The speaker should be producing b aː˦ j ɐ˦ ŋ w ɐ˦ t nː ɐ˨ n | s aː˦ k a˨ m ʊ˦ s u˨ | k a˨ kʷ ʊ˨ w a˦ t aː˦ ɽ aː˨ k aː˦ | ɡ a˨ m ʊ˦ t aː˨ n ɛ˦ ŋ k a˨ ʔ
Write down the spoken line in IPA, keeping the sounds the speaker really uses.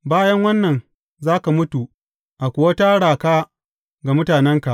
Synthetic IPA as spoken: b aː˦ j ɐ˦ ŋ w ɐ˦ nː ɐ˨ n | z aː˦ k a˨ m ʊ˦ t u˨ | ʔ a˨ kʷ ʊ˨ w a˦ t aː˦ ɽ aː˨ k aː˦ | ɡ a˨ m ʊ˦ t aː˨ n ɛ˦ ŋ k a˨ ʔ